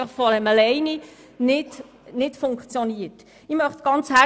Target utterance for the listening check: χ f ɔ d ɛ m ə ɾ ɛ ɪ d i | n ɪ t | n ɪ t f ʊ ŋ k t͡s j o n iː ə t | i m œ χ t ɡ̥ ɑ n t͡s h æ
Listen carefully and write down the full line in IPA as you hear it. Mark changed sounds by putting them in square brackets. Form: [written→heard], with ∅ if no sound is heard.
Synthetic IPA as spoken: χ f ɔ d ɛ m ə [ɾ→l] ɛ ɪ [d→n] i | n ɪ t | n ɪ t f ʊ ŋ k t͡s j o n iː ə t | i m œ χ t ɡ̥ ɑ n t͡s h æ